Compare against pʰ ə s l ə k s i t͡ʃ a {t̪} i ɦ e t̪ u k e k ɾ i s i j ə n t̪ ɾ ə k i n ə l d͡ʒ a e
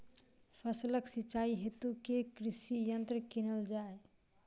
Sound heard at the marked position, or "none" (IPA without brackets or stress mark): none